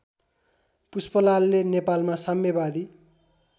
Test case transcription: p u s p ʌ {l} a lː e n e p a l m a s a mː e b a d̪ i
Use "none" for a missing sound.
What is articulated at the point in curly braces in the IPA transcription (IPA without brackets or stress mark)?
l